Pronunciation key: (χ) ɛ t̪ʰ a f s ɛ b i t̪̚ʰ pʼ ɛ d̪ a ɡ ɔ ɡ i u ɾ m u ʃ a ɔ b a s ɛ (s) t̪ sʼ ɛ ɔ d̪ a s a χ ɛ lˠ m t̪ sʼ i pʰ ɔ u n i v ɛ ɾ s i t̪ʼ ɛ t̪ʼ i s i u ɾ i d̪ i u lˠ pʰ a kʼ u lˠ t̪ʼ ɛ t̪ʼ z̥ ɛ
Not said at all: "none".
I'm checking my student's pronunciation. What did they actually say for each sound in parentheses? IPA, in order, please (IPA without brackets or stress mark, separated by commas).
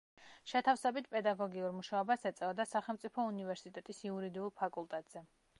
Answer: ʃ, none